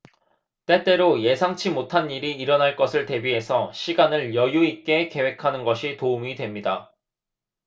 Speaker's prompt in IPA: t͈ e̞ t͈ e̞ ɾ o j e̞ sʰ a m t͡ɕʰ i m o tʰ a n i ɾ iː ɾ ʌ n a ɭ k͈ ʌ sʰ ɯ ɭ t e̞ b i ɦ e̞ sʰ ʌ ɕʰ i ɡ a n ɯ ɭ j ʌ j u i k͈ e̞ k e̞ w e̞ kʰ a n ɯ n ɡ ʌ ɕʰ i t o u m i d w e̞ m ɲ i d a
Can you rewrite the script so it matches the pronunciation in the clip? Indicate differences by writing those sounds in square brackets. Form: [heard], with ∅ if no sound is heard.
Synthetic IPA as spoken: t͈ e̞ t͈ e̞ ɾ o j e̞ sʰ a [ŋ] t͡ɕʰ i m o tʰ a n i ɾ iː ɾ ʌ n a ɭ k͈ ʌ sʰ ɯ ɭ t e̞ b i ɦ e̞ sʰ ʌ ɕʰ i ɡ a n ɯ ɭ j ʌ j u i k͈ e̞ k e̞ w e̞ kʰ a n ɯ n ɡ ʌ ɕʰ i t o u m i d w e̞ m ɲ i d a